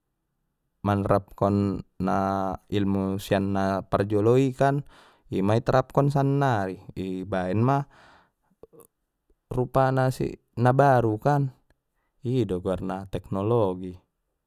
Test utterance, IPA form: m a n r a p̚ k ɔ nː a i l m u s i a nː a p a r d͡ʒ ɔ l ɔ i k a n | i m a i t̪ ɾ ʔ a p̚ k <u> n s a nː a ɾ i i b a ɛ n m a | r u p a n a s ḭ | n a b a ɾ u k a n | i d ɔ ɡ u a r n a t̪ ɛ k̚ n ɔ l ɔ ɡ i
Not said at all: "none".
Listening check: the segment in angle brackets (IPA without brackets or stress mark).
ɔ